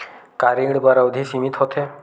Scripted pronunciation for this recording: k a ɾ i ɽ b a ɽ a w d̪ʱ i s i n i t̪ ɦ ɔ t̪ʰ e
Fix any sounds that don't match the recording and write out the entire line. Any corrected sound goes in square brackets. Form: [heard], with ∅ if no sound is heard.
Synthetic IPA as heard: k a ɾ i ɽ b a [ɾ] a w d̪ʱ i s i [m] i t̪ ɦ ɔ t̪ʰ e